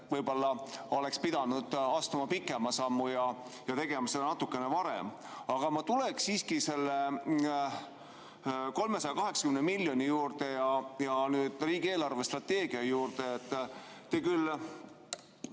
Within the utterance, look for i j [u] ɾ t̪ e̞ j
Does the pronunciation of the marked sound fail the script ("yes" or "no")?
yes